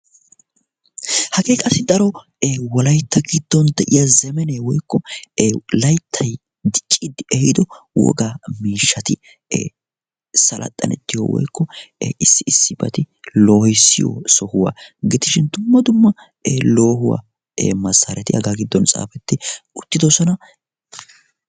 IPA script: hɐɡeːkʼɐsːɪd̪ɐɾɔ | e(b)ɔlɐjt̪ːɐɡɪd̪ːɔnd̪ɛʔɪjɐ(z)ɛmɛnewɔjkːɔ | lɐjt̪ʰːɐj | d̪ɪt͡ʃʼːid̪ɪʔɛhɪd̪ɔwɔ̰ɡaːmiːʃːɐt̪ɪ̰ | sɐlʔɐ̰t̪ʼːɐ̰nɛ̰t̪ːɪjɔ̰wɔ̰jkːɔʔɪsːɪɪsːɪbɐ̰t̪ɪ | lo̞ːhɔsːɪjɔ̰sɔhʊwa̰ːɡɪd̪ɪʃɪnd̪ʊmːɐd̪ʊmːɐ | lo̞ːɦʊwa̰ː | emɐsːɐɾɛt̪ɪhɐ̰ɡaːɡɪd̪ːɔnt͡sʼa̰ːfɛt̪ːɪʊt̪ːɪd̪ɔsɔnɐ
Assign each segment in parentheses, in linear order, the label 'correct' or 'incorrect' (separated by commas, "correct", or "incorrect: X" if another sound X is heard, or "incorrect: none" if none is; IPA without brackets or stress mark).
incorrect: w, correct